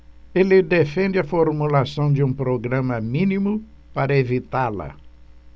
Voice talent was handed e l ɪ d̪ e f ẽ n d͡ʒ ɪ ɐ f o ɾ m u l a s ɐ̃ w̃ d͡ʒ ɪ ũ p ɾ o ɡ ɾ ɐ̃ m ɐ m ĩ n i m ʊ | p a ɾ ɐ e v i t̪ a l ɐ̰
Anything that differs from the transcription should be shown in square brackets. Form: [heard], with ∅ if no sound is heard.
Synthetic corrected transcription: e l ɪ d̪ e f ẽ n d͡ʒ ɪ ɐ f o ɾ m u l a s ɐ̃ w̃ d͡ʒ ɪ ũ p ɾ o ɡ ɾ ɐ̃ m ɐ m ĩ n i m ʊ | p a ɾ ɐ e v i t̪ a l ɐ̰